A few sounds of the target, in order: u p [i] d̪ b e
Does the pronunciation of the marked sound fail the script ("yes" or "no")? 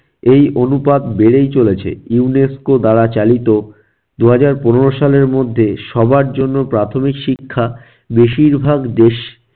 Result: yes